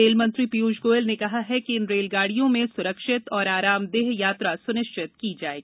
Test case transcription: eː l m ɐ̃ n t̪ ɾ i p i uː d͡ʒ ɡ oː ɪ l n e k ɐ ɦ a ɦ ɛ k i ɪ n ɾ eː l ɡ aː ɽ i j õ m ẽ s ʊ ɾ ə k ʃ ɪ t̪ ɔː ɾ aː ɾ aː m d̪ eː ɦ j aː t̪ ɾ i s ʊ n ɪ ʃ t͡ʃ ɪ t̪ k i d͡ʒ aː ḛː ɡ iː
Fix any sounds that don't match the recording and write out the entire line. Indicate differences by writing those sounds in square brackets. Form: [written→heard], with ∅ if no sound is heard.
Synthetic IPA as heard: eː l m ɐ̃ n t̪ ɾ i p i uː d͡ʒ ɡ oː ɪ l n e k ɐ ɦ a ɦ ɛ k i ɪ n ɾ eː l ɡ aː ɽ i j õ m ẽ s ʊ ɾ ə k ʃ ɪ t̪ ɔː ɾ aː ɾ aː m d̪ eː ɦ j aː t̪ ɾ [i→a] s ʊ n ɪ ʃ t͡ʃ ɪ t̪ k i d͡ʒ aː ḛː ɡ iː

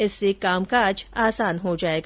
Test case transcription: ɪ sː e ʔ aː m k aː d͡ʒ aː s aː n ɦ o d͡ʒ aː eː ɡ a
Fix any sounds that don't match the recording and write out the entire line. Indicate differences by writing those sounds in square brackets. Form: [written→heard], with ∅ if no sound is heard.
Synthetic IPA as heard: ɪ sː e [ʔ→k] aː m k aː d͡ʒ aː s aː n ɦ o d͡ʒ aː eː ɡ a

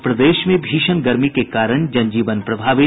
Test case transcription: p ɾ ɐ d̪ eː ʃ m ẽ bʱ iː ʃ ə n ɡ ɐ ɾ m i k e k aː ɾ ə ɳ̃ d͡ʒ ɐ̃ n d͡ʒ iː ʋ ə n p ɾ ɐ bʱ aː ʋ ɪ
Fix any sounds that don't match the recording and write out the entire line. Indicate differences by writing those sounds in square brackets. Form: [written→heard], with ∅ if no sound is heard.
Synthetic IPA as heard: p ɾ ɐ d̪ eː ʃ m ẽ bʱ iː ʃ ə n ɡ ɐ ɾ m i k e k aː ɾ ə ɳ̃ d͡ʒ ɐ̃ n d͡ʒ iː ʋ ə n p ɾ ɐ bʱ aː ʋ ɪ

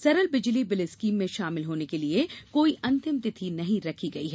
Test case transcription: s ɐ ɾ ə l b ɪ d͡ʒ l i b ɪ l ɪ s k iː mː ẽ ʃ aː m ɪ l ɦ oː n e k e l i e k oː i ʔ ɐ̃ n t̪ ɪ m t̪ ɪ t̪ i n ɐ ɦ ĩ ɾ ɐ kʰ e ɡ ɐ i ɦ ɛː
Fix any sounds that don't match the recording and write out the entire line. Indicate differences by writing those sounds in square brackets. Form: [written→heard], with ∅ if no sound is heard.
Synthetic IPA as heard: s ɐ ɾ ə l b ɪ d͡ʒ l i b ɪ l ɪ s k iː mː ẽ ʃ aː m ɪ l ɦ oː n e k e l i e k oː i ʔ ɐ̃ n t̪ ɪ m t̪ ɪ [t̪→t̪ʰ] i n ɐ ɦ ĩ ɾ ɐ kʰ [e→i] ɡ ɐ i ɦ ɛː

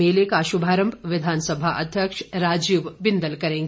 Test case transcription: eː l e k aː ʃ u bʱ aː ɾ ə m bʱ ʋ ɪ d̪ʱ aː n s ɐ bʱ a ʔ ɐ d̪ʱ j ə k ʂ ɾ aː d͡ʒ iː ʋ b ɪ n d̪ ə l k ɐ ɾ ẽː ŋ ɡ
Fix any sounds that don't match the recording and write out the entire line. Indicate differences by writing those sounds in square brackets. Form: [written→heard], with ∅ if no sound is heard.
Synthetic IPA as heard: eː l e k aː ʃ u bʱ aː ɾ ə m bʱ ʋ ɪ d̪ʱ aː n s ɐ bʱ a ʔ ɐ d̪ʱ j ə k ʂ ɾ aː d͡ʒ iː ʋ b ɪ n d̪ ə l k ɐ ɾ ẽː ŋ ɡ

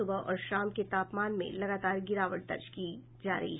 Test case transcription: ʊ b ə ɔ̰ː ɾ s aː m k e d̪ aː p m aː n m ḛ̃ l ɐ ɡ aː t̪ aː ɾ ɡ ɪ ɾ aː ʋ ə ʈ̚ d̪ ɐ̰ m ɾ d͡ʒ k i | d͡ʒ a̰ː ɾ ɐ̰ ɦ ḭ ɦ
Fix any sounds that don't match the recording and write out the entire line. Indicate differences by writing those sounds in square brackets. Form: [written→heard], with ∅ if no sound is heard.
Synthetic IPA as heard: ʊ b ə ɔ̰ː ɾ [s→ʃ] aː m k e [d̪→t̪] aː p m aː n m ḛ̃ l ɐ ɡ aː t̪ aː ɾ ɡ ɪ ɾ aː ʋ ə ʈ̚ d̪ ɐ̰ [m→∅] ɾ d͡ʒ k i | d͡ʒ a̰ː ɾ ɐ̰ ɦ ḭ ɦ

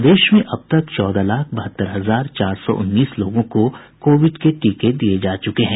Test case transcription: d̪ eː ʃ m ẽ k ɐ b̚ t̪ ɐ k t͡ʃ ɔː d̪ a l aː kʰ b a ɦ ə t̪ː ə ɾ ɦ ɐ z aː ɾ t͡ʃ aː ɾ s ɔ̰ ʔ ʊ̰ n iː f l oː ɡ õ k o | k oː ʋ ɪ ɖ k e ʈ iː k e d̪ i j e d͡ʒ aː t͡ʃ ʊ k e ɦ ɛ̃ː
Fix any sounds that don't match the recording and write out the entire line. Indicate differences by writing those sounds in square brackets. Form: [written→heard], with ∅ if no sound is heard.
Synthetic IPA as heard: d̪ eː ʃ m ẽ [k→ʔ] ɐ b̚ t̪ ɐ k t͡ʃ ɔː d̪ a l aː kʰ b [a→ɐ] ɦ ə t̪ː ə ɾ ɦ ɐ z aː ɾ t͡ʃ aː ɾ s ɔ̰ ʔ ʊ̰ [n→nː] iː [f→s] l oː ɡ õ k o | k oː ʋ ɪ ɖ k e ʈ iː k e d̪ i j e d͡ʒ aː t͡ʃ ʊ k e ɦ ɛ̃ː

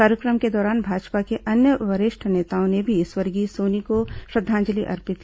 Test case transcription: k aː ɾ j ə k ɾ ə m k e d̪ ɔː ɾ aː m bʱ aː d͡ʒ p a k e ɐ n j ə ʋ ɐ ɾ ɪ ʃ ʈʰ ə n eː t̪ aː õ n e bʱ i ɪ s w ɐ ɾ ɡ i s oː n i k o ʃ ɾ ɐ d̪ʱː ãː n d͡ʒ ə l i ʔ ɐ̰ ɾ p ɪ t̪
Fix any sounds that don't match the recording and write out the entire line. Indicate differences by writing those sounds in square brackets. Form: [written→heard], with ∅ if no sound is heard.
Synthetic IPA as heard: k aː ɾ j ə k ɾ ə m k e d̪ ɔː ɾ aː [m→n] bʱ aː d͡ʒ p a k e ɐ n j ə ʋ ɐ ɾ ɪ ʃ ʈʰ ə n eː t̪ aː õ n e bʱ i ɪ s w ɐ ɾ ɡ i s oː n i k o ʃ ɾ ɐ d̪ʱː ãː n d͡ʒ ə l i ʔ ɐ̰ ɾ p ɪ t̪

